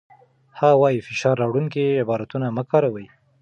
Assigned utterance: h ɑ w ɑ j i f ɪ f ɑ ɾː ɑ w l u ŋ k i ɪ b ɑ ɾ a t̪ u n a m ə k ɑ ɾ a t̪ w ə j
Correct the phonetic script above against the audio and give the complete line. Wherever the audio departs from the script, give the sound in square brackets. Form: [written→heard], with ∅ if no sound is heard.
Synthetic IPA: h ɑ w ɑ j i f ɪ [f→ʃ] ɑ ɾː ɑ w [l→ɽ] u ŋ k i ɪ b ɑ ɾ a t̪ u n a m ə k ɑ ɾ a [t̪→∅] w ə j

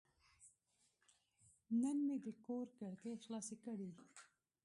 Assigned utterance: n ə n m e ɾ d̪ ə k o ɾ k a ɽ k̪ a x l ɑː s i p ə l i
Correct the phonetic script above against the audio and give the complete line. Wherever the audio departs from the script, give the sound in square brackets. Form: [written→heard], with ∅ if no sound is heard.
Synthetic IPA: n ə n m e [ɾ→∅] d̪ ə k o ɾ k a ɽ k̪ [a→e] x l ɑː s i [p→k] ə [l→ɽ] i

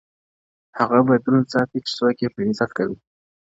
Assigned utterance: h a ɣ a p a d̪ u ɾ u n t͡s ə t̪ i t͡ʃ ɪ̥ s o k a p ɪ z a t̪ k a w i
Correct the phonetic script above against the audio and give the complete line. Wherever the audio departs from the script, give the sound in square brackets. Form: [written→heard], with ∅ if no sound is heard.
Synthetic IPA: h a ɣ a [p→b] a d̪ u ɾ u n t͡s [ə→ɑ] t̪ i t͡ʃ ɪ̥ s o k [a→e] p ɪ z a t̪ k a w i

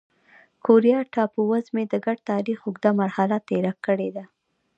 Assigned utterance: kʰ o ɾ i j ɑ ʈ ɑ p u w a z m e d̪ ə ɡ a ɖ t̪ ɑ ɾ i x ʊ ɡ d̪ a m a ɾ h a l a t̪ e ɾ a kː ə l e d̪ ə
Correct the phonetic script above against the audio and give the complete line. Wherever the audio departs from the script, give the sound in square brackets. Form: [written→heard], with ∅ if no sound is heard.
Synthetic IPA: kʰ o ɾ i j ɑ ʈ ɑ p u w a z m e d̪ ə ɡ a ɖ t̪ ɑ ɾ i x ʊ ɡ d̪ a m a ɾ h a l a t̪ e ɾ a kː ə [l→ɽ] e d̪ [ə→a]

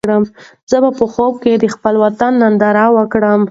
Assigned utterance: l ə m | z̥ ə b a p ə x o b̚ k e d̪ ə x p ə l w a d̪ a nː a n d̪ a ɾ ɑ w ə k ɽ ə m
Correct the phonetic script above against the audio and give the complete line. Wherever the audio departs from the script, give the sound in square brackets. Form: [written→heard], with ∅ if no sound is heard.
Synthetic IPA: [l→ɽ] ə m | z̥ ə b a p ə x o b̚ k e d̪ ə x p ə l w a [d̪→t̪] a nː a n d̪ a ɾ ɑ w ə k ɽ ə m

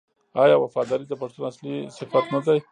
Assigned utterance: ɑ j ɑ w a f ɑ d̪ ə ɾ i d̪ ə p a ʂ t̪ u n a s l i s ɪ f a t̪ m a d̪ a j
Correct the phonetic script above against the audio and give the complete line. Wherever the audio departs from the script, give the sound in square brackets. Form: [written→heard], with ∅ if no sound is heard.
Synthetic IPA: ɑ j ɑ w a f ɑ d̪ [ə→ɑ] ɾ i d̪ ə p a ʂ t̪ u n a s l i s ɪ f a t̪ [m→n] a d̪ a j

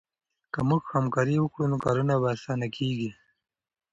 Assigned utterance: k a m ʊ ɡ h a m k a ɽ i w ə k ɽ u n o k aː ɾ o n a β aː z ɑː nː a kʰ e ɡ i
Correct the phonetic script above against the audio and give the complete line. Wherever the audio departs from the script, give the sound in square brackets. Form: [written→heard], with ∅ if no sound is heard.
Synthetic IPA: k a m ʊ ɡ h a m k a [ɽ→ɾ] i w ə k ɽ u n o k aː ɾ [o→u] n a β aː [z→s] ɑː [nː→n] a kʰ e ɡ i

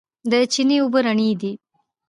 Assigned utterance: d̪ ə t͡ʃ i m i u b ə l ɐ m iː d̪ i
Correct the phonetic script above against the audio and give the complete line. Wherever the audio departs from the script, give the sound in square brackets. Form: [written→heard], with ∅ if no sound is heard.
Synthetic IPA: d̪ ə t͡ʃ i [m→n] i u b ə [l→ɾ] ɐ [m→ɳ] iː d̪ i

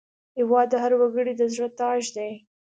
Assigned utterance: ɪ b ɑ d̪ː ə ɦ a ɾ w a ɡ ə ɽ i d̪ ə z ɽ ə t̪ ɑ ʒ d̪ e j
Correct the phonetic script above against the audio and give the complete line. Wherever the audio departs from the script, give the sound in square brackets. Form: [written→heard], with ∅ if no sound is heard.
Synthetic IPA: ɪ [b→w] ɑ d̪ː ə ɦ a ɾ w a ɡ ə ɽ i d̪ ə z ɽ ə t̪ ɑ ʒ d̪ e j

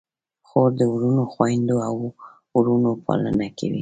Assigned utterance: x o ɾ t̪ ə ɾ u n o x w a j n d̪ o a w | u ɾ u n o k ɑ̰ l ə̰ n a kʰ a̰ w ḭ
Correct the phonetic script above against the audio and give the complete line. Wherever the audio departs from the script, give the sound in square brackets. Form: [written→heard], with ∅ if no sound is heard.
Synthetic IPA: x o ɾ [t̪→d̪] ə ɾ u n o x w a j n d̪ o a w | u ɾ u n o [k→p] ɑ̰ l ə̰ n a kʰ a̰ w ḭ

